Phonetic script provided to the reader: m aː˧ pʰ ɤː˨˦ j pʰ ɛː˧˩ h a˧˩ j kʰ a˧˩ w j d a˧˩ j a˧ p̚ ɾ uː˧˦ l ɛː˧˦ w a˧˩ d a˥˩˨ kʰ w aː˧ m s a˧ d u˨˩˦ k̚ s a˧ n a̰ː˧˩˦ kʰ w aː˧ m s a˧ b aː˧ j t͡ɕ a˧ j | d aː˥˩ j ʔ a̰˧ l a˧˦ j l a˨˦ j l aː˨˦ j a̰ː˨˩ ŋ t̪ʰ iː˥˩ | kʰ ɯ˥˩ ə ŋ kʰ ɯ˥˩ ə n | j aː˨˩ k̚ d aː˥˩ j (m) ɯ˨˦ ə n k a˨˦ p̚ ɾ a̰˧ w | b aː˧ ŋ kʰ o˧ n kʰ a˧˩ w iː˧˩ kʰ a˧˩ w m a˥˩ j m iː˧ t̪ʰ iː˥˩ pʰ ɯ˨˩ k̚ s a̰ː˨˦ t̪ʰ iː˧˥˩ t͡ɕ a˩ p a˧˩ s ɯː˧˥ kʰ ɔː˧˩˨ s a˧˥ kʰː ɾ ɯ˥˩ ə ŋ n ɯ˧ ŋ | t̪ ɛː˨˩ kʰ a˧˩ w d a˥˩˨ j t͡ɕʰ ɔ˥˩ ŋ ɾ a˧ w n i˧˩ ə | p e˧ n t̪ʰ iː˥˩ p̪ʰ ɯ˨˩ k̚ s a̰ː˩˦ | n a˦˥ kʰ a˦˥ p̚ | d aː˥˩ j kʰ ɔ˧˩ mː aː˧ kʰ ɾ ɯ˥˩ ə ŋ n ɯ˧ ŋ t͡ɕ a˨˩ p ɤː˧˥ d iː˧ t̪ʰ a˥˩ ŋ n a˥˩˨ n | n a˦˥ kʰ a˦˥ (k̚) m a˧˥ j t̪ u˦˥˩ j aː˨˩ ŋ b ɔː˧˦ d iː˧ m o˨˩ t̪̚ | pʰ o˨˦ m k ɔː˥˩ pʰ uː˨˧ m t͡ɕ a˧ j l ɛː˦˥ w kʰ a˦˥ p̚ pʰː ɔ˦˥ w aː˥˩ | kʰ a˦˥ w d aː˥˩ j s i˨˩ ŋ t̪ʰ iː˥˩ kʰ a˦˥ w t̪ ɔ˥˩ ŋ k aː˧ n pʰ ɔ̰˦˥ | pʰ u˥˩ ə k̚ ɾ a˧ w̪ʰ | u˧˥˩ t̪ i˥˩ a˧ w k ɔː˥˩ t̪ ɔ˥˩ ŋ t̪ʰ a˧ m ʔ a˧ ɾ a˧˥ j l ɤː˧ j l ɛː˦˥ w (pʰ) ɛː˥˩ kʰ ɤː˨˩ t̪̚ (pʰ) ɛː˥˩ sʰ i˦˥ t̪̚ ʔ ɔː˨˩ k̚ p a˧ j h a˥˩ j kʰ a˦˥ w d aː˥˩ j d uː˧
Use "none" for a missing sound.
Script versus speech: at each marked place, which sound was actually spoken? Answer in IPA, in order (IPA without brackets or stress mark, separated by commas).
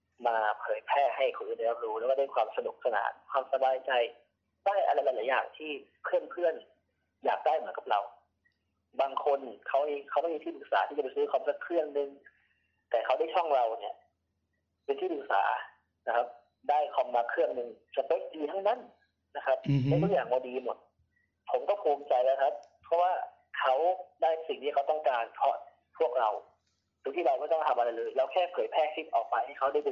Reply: m, p̚, kʰ, pʰ